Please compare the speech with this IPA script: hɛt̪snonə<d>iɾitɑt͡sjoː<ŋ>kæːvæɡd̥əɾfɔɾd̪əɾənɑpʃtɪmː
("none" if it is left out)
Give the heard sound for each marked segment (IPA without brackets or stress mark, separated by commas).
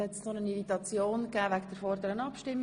n, n